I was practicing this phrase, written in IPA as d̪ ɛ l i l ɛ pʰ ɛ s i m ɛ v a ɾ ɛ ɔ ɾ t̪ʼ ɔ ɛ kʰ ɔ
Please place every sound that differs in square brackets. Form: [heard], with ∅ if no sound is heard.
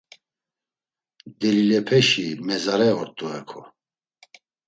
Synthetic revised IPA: d̪ ɛ l i l ɛ pʰ ɛ [ʃ] i m ɛ [z] a ɾ ɛ ɔ ɾ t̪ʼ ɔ ɛ kʰ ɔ